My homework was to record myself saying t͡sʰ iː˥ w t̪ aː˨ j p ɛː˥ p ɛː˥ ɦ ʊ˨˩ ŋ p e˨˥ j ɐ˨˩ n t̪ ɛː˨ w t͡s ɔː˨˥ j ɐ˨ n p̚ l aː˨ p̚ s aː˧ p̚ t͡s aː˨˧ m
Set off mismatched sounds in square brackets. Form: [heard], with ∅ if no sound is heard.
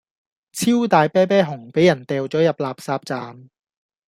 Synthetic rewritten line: t͡sʰ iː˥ w t̪ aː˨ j p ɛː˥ p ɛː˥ ɦ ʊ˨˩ ŋ p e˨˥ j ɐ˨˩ n t̪ ɛː˨ w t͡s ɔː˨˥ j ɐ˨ [∅] p̚ l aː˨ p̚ s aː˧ p̚ t͡s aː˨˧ m